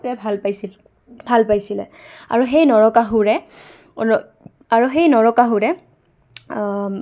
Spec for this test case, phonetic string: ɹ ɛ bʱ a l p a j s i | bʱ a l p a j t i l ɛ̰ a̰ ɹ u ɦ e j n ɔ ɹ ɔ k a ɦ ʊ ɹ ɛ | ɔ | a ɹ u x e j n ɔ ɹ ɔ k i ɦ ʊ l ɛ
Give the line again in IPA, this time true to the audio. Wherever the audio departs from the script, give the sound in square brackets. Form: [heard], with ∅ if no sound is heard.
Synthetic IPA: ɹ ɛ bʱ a l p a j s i | bʱ a l p a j [s] i l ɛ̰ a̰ ɹ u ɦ e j n ɔ ɹ ɔ k a ɦ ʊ ɹ ɛ | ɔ | a ɹ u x e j n ɔ ɹ ɔ k [a] ɦ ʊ [ɹ] ɛ